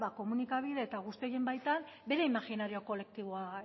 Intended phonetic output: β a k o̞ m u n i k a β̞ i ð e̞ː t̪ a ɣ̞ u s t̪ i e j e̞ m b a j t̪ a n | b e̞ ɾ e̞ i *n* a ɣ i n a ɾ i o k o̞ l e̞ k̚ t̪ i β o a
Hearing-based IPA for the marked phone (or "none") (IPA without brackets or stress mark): m